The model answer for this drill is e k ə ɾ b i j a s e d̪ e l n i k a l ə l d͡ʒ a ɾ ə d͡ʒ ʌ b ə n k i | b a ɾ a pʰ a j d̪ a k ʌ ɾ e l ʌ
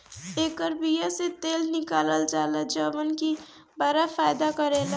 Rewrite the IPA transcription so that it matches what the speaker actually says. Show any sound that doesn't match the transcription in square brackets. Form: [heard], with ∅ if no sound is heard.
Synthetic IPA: e k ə ɾ b i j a s e [t̪] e l n i k a l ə l d͡ʒ a [l] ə d͡ʒ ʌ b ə n k i | b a ɾ a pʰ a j d̪ a k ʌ ɾ e l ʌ